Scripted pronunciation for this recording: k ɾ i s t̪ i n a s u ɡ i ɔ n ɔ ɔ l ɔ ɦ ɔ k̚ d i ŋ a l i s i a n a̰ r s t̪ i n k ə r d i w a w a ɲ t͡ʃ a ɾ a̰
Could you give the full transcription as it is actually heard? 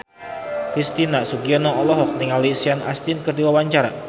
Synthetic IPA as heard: k ɾ i s t̪ i n a s u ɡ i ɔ n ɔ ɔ l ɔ ɦ ɔ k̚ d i ŋ a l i s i a n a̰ s t̪ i n k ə r d i w a w a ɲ t͡ʃ a ɾ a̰